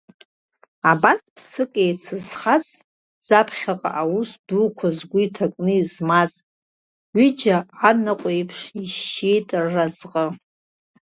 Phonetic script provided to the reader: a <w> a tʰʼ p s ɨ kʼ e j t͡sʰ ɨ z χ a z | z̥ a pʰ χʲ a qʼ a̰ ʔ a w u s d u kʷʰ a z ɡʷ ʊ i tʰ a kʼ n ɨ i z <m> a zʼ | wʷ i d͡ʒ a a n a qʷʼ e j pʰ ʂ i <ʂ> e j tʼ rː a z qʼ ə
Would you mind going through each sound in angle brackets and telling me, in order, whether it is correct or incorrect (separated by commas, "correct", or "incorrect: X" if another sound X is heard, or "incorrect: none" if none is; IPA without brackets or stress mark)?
incorrect: b, correct, incorrect: ʃ